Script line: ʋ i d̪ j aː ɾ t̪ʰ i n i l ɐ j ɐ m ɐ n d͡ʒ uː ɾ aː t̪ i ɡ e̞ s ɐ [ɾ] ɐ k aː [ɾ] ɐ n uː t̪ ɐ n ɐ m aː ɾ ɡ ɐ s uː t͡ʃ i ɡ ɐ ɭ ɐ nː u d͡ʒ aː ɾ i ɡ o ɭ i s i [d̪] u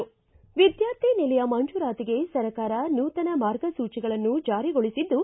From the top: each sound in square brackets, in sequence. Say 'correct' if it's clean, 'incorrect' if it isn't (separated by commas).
correct, correct, incorrect